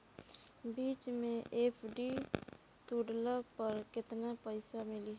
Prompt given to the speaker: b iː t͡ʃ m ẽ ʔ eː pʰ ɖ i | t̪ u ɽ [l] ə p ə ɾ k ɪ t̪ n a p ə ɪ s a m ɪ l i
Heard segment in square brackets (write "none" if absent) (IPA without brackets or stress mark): l